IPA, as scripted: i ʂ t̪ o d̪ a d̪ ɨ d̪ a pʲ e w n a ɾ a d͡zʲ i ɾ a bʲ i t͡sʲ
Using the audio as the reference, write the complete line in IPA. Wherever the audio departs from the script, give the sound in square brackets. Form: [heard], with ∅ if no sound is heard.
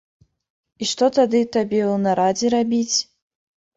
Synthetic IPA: i ʂ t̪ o [t̪] a d̪ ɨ [t̪] a [bʲ] e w n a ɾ a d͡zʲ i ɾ a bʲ i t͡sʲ